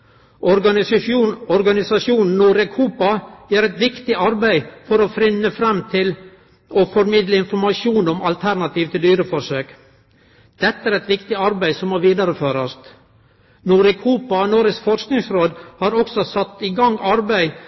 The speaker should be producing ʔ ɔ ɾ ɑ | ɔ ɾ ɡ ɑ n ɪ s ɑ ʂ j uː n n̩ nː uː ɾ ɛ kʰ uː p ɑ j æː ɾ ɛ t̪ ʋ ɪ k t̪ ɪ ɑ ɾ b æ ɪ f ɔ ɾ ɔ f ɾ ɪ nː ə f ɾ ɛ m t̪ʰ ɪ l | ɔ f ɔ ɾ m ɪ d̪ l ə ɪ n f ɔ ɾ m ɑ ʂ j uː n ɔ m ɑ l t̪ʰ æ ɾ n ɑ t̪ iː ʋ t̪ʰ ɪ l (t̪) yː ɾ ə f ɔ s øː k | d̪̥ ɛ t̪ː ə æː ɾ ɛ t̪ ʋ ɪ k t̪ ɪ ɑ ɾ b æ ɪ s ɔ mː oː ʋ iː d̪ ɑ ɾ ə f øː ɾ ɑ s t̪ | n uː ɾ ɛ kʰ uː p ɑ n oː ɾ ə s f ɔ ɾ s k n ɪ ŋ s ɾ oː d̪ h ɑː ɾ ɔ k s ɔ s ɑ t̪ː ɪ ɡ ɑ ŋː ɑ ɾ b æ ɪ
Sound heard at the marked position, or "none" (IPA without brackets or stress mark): d̪